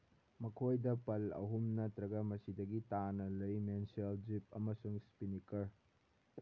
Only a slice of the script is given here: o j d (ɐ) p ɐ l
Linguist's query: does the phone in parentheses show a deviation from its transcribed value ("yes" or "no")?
no